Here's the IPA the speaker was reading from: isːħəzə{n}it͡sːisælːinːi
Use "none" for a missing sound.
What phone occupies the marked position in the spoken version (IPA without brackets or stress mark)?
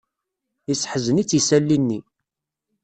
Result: n